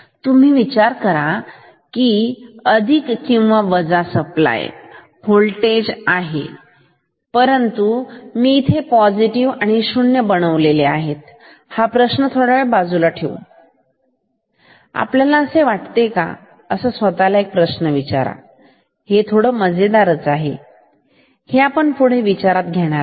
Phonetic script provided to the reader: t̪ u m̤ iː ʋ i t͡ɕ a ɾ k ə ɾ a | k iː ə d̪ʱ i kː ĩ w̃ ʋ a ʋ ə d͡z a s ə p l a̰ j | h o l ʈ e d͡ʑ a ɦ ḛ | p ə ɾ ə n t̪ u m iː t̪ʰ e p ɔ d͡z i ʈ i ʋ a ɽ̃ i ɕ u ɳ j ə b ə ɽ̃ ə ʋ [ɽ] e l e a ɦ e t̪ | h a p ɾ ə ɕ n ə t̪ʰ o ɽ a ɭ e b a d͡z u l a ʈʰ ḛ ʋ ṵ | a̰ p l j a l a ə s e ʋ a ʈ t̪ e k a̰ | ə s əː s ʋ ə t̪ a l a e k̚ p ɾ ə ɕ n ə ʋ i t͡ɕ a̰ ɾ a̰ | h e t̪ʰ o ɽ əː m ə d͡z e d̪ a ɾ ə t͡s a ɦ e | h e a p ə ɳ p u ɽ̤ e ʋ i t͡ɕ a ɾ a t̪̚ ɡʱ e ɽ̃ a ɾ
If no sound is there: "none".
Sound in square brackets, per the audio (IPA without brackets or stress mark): l